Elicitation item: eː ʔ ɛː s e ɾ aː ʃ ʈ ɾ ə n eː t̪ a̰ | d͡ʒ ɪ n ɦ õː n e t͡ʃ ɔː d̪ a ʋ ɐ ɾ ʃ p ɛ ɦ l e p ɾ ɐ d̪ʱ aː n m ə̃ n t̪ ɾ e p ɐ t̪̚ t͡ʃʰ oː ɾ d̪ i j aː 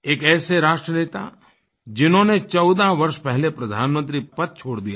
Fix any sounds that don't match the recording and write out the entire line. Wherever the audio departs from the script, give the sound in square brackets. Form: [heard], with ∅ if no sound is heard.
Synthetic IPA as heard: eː [k] ɛː s e ɾ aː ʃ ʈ ɾ ə n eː t̪ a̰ | d͡ʒ ɪ n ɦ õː n e t͡ʃ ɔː d̪ a ʋ ɐ ɾ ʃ p ɛ ɦ l e p ɾ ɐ d̪ʱ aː n m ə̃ n t̪ ɾ [i] p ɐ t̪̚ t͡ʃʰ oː [ɽ] d̪ i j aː